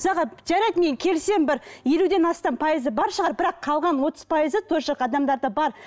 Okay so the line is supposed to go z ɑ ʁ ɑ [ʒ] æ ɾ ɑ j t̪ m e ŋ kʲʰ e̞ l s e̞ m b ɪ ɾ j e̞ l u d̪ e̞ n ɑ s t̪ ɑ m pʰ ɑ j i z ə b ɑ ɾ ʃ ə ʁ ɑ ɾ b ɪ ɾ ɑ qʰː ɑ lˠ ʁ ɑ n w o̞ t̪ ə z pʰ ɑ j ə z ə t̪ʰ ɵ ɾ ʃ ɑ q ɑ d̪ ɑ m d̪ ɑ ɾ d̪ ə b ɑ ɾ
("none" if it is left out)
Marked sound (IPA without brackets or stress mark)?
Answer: ʒ